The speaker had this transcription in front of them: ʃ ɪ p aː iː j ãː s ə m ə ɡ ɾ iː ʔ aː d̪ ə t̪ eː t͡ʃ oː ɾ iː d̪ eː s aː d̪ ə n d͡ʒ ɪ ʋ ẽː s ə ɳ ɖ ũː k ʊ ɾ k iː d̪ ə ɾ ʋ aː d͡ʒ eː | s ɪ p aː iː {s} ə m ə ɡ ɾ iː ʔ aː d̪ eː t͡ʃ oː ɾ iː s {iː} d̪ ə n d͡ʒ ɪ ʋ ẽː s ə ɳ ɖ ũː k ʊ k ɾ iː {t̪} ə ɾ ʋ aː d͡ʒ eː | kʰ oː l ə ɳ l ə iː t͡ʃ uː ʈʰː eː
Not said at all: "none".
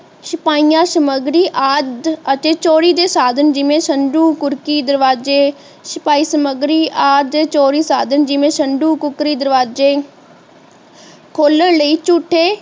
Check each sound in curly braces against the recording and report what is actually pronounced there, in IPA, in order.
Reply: s, aː, d̪

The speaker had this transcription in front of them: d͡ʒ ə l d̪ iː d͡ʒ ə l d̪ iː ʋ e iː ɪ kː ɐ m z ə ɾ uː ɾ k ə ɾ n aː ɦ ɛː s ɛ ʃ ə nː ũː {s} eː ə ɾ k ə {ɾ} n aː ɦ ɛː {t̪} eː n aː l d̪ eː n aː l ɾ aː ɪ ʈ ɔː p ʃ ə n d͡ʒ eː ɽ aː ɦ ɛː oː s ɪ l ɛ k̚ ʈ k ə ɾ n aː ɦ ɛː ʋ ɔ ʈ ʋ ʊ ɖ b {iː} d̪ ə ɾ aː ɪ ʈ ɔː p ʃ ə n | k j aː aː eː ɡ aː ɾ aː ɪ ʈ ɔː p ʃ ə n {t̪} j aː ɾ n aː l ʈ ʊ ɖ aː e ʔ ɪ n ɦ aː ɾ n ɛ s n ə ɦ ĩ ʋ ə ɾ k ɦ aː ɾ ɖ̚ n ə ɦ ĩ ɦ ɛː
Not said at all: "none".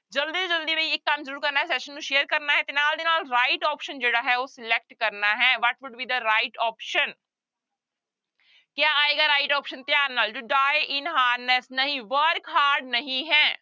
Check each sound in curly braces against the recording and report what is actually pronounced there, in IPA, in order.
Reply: ʃ, ɾ, t̪, iː, t̪

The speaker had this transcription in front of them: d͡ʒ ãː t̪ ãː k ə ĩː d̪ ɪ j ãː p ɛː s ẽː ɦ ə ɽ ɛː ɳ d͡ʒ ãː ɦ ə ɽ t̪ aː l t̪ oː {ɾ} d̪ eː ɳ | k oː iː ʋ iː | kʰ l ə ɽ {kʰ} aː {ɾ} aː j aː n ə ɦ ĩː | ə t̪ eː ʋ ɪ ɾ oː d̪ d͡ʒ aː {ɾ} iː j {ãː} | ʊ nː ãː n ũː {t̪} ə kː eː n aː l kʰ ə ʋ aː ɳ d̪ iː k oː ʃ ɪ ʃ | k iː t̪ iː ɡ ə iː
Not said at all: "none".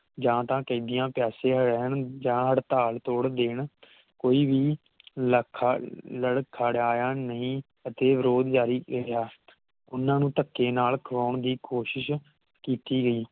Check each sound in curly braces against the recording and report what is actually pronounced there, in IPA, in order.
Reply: ɽ, kʰ, ɽ, ɾ, aː, t̪

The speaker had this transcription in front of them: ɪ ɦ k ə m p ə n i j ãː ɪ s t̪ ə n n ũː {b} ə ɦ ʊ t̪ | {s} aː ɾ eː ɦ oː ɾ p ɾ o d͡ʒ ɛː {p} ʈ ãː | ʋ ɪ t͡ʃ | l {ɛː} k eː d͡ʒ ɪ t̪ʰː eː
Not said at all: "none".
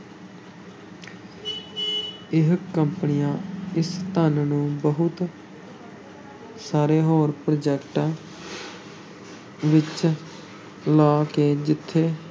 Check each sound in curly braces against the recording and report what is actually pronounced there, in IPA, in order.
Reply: b, s, k, aː

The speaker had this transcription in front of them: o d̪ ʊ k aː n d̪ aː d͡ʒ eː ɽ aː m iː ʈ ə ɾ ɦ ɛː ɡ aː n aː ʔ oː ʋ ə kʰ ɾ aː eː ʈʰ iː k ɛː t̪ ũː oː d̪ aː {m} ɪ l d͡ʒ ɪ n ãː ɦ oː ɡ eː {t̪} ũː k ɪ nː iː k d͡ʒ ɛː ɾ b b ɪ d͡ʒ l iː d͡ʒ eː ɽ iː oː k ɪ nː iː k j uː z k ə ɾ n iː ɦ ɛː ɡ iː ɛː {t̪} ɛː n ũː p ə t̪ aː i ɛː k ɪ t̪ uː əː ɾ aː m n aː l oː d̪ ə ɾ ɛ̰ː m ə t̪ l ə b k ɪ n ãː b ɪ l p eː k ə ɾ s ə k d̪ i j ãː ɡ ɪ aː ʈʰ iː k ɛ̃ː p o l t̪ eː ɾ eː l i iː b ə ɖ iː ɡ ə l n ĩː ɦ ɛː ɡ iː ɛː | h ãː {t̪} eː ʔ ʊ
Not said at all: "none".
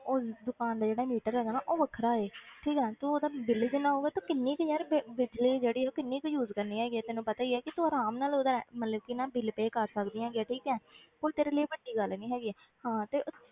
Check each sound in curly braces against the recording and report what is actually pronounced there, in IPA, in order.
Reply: b, t̪, t̪, t̪

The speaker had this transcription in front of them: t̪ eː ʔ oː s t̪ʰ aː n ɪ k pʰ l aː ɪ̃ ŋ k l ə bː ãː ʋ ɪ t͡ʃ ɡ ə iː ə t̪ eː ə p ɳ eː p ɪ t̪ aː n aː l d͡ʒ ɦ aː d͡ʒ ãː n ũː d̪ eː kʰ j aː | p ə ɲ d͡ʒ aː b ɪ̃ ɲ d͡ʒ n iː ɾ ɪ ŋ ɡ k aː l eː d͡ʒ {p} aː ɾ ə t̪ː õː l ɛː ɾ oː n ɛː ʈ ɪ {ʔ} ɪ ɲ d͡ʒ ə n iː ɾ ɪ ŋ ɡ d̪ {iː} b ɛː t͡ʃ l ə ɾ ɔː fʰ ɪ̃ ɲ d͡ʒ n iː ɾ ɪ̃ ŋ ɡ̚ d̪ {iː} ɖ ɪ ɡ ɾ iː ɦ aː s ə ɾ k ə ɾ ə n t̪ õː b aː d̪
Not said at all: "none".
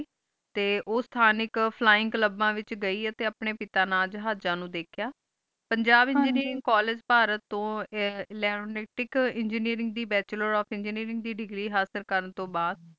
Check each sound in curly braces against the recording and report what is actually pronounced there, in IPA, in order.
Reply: p, k, iː, iː

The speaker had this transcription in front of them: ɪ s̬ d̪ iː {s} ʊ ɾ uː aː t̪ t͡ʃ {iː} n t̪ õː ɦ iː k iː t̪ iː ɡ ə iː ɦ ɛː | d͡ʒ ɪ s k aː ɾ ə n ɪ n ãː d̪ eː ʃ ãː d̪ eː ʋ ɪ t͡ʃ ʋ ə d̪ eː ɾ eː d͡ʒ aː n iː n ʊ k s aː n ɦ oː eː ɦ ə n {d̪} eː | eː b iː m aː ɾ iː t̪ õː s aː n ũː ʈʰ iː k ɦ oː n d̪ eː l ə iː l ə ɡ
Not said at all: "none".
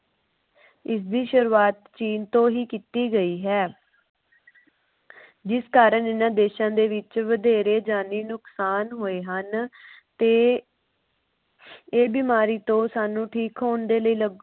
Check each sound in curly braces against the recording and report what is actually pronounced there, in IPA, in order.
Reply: ʃ, iː, t̪

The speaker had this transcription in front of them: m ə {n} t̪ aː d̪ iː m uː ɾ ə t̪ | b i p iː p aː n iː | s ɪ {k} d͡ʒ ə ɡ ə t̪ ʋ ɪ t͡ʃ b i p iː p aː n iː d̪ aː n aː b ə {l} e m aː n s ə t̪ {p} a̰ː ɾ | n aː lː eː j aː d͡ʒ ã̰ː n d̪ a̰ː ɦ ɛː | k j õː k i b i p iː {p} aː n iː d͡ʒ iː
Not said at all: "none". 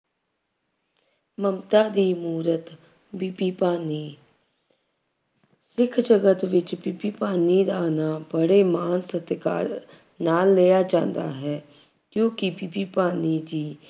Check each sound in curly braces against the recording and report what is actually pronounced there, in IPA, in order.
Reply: m, kʰ, ɽ, k, p

